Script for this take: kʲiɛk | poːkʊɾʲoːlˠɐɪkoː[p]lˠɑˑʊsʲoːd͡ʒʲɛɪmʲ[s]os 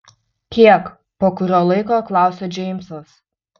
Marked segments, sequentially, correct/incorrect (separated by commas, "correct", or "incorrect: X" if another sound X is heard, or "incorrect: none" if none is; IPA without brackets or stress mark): incorrect: k, correct